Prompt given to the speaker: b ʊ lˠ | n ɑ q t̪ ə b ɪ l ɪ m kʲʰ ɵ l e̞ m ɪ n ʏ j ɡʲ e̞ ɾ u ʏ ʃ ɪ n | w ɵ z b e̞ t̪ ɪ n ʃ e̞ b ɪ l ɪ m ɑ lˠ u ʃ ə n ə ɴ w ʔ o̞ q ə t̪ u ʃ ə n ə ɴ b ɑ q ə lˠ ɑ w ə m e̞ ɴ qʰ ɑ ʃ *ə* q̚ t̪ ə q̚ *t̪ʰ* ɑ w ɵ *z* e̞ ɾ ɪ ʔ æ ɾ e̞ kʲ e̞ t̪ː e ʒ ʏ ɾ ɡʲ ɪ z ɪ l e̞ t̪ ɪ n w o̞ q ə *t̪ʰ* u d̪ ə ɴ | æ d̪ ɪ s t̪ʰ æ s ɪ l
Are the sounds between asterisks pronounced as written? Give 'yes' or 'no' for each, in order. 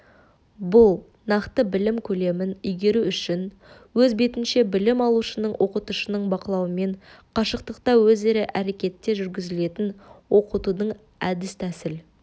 yes, no, yes, no

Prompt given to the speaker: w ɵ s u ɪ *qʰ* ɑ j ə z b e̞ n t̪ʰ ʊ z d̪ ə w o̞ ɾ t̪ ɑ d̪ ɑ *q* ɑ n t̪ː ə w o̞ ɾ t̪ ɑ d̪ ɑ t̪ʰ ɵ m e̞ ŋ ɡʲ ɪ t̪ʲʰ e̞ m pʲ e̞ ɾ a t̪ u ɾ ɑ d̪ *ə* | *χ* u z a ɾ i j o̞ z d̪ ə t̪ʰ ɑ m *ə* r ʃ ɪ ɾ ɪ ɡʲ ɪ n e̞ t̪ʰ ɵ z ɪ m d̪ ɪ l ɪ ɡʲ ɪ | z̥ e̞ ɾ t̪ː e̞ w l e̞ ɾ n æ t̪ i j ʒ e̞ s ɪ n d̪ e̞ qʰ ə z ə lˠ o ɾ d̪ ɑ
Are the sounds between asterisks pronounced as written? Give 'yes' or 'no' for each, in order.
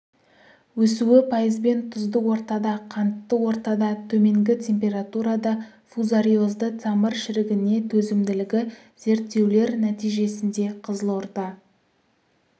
no, no, no, no, yes

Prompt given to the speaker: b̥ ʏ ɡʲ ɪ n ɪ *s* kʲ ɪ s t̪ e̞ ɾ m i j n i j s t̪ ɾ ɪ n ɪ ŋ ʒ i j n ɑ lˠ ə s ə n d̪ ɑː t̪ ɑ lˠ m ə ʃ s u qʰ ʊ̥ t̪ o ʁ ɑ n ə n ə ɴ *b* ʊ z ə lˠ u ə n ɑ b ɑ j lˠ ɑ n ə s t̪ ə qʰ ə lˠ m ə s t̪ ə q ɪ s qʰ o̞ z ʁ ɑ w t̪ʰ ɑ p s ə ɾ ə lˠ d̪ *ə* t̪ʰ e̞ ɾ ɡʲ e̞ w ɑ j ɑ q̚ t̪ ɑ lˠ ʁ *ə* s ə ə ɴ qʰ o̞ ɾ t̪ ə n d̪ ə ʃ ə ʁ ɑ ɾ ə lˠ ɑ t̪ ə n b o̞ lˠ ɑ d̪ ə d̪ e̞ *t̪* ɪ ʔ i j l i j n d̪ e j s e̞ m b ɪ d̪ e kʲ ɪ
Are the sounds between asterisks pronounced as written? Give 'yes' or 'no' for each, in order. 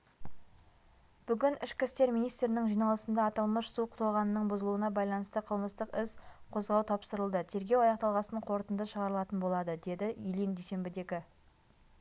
no, yes, yes, no, no

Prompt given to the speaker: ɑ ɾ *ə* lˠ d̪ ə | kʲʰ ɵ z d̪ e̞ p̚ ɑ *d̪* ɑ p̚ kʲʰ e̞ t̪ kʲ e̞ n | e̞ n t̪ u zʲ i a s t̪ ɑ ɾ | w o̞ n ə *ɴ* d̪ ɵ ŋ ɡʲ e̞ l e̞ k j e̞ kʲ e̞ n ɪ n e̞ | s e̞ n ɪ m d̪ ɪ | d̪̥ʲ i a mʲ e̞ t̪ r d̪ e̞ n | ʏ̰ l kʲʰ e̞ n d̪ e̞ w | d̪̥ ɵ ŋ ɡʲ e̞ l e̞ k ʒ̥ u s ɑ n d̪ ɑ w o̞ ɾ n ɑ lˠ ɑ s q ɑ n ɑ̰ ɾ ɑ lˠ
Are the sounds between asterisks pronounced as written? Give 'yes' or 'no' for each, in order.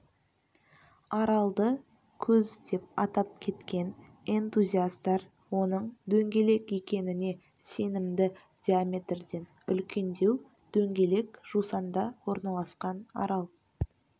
no, no, yes

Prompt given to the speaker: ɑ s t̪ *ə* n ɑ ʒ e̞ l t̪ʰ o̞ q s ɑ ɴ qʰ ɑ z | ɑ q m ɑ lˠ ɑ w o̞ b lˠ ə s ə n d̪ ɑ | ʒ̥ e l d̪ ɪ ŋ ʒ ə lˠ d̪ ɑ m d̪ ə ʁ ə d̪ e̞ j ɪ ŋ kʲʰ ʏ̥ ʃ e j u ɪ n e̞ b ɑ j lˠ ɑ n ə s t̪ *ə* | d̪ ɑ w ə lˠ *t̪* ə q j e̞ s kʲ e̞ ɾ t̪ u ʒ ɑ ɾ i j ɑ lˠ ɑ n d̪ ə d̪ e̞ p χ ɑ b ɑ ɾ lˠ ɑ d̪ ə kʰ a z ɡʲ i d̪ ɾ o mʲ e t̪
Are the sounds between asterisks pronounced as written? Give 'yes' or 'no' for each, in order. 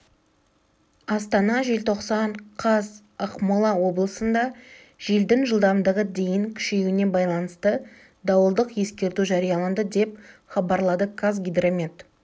no, yes, no

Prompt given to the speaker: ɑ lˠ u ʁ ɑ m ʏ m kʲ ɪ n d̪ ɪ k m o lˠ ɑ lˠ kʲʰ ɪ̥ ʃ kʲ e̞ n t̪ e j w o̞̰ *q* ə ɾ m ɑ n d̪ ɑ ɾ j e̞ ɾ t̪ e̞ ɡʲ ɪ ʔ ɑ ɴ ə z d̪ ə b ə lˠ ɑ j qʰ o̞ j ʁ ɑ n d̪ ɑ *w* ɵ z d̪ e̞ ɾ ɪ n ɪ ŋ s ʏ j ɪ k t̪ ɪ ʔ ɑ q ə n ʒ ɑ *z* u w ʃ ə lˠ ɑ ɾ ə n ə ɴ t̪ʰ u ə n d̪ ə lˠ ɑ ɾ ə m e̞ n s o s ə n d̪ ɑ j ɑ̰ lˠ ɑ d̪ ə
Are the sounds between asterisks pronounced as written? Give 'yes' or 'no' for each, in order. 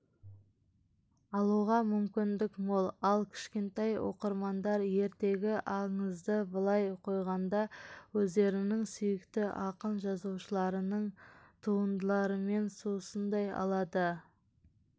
yes, yes, yes

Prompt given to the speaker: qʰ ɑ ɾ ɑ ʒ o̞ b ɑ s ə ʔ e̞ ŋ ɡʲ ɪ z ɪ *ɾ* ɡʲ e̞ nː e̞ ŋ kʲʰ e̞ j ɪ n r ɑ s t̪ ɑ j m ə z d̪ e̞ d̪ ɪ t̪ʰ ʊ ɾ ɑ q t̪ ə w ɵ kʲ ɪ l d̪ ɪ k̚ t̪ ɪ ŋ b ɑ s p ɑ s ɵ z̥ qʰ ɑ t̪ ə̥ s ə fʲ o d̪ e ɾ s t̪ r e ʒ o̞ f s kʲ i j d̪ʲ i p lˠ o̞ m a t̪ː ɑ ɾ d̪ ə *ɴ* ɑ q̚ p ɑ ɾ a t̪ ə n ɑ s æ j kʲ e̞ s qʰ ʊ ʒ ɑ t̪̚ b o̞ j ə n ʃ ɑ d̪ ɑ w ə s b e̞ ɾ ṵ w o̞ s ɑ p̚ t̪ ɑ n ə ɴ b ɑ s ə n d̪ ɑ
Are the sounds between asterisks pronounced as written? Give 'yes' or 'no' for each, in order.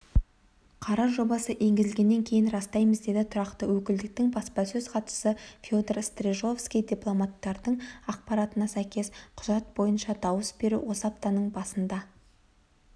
no, yes

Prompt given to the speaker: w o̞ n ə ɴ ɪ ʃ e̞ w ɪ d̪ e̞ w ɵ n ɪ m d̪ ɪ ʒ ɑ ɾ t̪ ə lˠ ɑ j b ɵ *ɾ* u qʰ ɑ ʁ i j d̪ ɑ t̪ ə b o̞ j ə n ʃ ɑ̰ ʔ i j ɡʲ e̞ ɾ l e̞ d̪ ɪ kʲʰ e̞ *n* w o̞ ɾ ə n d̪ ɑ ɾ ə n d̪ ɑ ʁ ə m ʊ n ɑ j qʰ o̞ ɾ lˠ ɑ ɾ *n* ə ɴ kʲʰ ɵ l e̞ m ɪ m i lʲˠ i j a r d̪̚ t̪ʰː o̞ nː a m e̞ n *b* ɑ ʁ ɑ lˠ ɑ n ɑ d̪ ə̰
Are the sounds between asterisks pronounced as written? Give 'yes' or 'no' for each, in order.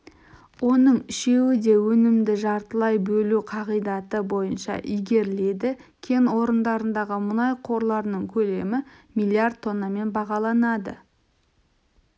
no, yes, yes, yes

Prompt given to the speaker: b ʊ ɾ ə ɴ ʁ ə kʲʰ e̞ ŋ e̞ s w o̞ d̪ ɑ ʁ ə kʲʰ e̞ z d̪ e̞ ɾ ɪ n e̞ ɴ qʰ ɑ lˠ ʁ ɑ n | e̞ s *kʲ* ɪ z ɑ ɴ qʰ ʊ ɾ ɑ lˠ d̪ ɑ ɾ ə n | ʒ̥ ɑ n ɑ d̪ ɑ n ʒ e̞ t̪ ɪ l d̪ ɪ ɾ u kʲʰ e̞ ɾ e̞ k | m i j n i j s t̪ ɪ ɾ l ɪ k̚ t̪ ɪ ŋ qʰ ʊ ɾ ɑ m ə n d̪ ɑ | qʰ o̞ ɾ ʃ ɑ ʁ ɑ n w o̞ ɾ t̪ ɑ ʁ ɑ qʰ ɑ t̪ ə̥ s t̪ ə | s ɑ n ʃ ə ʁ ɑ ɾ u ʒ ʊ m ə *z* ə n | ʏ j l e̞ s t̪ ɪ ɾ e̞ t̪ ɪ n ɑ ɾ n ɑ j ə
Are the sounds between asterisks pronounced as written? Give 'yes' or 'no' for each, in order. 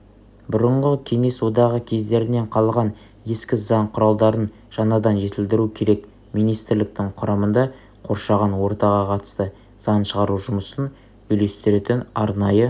yes, no

